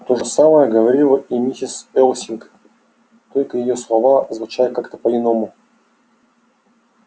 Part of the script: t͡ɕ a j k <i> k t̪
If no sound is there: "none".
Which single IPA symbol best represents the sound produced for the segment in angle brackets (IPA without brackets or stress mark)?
a